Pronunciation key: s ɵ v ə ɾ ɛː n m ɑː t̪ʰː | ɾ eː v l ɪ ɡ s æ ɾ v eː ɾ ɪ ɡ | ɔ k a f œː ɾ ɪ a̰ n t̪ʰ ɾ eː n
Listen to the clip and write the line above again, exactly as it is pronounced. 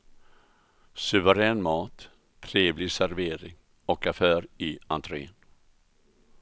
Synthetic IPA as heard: s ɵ v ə ɾ ɛː n m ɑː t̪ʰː | ɾ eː v l ɪ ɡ s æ ɾ v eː ɾ ɪ ŋ | ɔ k a f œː ɾ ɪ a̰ n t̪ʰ ɾ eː n